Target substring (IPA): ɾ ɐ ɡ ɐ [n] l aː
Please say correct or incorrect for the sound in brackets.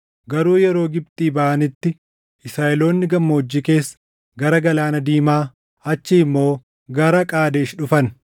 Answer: incorrect: none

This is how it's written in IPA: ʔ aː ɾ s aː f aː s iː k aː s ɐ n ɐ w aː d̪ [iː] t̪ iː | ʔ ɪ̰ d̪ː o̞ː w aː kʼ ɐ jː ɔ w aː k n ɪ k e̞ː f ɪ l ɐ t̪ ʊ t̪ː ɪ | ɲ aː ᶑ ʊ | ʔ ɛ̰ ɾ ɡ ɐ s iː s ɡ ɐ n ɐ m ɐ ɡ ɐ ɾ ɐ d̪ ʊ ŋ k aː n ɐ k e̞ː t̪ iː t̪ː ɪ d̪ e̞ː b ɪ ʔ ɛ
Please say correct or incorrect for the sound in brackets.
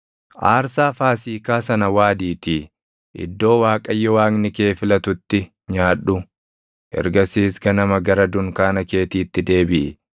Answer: correct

